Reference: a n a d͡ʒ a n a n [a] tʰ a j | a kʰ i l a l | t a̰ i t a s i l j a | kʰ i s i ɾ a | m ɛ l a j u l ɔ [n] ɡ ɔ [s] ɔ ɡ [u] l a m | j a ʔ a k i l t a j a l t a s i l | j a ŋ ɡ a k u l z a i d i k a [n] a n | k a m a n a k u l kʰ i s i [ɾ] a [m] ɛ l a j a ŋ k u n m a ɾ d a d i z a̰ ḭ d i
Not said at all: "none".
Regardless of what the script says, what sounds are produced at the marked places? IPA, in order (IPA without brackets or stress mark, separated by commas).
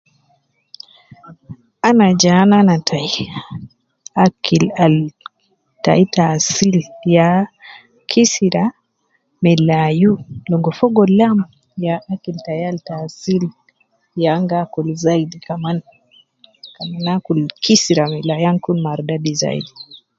a, ŋ, f, ɔ, m, ɾ, m